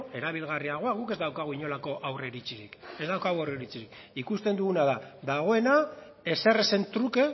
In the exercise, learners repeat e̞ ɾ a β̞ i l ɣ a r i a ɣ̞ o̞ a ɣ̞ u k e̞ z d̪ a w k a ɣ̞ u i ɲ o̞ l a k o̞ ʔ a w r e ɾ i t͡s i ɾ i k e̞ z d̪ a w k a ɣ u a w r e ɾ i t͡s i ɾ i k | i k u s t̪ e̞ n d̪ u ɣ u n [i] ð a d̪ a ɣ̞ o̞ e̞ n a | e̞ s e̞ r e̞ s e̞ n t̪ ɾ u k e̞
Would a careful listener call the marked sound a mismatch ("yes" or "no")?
yes